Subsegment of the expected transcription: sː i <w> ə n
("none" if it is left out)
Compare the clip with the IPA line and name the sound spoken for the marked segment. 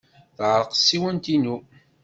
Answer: w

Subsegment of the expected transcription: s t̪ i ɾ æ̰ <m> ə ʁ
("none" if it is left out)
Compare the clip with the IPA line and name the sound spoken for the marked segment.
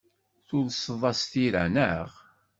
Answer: n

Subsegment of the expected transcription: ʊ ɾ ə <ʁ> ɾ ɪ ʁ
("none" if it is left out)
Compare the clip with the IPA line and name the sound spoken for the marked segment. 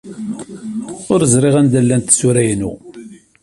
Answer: z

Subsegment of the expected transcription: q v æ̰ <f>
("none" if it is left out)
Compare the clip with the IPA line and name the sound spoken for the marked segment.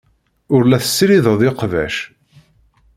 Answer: ʃ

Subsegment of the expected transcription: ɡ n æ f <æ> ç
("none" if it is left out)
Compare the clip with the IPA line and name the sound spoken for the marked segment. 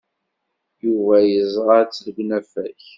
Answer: æ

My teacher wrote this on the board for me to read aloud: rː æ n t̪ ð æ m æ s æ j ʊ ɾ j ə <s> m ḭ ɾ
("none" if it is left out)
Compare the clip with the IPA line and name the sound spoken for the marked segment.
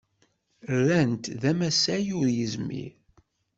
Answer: z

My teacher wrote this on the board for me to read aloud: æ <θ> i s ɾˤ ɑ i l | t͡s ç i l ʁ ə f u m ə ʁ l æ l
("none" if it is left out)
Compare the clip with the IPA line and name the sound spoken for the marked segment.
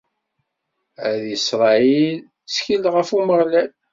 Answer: ð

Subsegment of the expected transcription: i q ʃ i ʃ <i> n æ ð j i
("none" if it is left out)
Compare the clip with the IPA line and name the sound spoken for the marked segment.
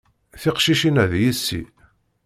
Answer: i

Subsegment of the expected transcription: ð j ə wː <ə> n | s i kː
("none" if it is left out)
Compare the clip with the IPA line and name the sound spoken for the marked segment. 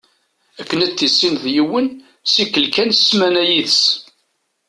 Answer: ə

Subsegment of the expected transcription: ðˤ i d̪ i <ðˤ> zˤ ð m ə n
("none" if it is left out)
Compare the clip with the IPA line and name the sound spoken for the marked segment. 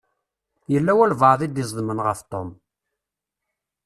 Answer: none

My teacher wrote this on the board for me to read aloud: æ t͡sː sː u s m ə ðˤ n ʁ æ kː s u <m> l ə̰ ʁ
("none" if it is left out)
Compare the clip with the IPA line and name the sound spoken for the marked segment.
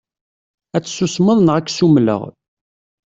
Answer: m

